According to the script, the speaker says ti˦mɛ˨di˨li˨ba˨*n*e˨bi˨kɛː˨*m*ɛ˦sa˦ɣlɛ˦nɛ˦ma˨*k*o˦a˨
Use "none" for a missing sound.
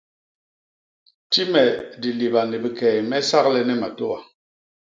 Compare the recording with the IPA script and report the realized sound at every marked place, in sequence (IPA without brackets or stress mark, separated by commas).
n, m, t